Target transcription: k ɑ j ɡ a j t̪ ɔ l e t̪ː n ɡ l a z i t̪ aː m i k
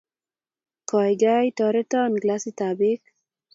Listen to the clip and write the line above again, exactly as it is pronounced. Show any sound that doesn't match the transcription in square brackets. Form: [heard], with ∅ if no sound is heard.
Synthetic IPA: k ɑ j ɡ a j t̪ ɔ [ɾ] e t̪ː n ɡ l a [s] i t̪ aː [b] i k